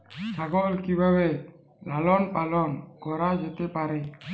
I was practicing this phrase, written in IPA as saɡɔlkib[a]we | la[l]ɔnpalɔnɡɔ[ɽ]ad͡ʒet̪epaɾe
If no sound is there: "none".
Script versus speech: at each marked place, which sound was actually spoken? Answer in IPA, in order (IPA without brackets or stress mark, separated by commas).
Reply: a, l, ɾ